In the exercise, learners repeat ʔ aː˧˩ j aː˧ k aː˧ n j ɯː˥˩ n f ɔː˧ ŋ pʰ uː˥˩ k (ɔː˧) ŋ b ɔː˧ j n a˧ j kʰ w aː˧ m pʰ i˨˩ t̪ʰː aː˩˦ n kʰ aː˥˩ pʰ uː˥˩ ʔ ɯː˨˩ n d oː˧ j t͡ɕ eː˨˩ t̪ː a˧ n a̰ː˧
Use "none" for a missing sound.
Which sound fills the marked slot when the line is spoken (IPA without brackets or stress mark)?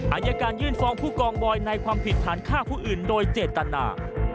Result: ɔː˧